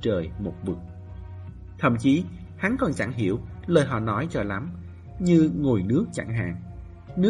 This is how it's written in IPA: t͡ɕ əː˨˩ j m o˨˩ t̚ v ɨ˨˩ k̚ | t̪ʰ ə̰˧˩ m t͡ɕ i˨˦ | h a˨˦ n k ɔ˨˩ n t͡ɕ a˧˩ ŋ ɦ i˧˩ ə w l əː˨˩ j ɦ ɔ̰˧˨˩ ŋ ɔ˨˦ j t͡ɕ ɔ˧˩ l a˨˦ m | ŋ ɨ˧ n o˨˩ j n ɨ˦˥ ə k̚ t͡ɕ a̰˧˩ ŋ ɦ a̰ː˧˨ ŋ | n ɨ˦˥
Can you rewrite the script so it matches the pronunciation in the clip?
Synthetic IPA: t͡ɕ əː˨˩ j m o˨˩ t̚ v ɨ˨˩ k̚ | t̪ʰ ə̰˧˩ m t͡ɕ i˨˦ | h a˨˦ n k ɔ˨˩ n t͡ɕ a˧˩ ŋ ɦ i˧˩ ə w l əː˨˩ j ɦ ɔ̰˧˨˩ n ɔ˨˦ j t͡ɕ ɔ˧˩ l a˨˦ m | ɲ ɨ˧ ŋ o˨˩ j n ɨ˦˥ ə k̚ t͡ɕ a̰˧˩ ŋ ɦ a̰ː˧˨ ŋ | n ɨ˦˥